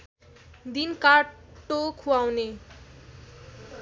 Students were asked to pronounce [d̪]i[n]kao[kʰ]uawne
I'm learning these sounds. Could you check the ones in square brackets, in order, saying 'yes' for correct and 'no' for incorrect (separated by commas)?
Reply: yes, yes, yes